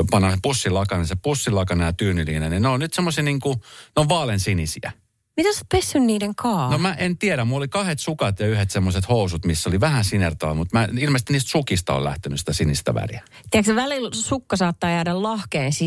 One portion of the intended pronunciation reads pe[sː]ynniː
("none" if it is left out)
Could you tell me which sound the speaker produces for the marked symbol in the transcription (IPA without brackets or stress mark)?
sː